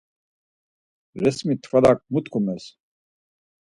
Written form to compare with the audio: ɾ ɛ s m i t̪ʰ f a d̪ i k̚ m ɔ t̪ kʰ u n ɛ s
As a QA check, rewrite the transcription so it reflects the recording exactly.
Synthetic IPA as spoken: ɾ ɛ s m i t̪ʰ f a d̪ a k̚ m u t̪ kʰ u m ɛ s